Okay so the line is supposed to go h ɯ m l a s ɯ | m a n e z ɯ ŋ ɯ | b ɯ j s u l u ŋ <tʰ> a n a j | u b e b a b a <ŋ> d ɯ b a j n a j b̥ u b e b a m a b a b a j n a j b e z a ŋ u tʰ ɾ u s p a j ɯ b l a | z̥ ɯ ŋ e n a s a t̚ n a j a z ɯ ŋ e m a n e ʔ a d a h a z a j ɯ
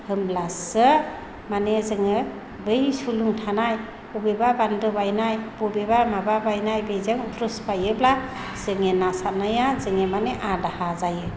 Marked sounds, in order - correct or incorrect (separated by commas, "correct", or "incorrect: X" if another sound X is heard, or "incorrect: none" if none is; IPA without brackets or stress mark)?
correct, incorrect: n